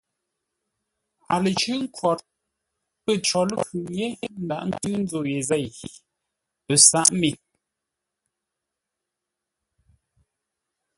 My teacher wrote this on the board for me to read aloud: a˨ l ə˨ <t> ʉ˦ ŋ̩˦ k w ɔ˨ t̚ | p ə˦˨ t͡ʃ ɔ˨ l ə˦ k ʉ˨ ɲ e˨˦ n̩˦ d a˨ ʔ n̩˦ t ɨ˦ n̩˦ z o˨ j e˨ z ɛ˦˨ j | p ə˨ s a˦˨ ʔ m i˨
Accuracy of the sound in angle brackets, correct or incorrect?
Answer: incorrect: t͡ʃ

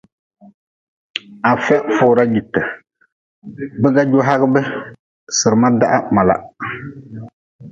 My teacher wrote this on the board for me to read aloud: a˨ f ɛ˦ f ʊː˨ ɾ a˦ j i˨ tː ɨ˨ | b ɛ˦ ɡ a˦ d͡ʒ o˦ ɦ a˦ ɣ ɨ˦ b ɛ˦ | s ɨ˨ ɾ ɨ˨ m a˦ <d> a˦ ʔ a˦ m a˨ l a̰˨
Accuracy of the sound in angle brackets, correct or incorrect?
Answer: correct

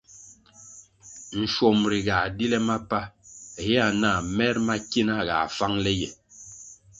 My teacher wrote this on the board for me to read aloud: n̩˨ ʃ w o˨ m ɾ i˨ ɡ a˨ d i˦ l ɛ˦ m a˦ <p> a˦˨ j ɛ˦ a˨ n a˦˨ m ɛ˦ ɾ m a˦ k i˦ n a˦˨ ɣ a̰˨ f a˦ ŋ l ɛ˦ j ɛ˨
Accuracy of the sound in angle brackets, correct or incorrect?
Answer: correct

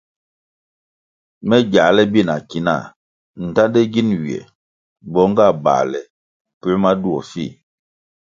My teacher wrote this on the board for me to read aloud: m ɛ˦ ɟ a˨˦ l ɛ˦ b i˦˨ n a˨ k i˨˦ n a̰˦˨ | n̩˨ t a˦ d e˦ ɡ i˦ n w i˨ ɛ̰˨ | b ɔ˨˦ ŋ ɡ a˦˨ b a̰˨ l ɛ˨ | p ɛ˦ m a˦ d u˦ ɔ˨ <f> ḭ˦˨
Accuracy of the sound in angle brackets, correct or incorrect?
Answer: correct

